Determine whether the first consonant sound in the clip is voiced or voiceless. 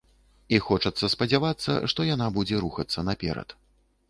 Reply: voiceless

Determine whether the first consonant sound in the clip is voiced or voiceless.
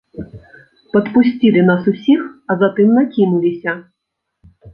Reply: voiceless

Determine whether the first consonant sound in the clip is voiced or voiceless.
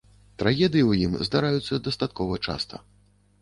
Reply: voiceless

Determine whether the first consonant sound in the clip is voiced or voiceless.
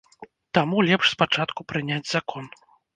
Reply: voiceless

